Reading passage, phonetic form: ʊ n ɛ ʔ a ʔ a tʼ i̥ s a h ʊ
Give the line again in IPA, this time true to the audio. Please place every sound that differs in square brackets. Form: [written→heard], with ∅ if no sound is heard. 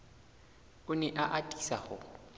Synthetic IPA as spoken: ʊ n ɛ ʔ a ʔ a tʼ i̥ s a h ʊ